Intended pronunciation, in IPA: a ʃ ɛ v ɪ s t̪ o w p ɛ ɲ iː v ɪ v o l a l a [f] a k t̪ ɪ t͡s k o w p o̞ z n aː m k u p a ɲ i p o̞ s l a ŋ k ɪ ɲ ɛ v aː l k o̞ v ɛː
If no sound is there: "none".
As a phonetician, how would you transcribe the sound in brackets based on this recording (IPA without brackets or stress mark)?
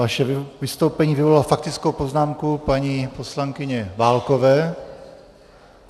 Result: f